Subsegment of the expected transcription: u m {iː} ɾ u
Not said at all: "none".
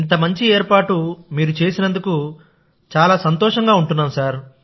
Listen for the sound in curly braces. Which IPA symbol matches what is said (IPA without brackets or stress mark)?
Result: iː